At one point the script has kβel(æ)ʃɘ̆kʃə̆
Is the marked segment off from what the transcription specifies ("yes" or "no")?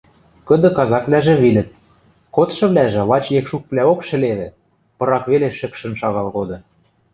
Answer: yes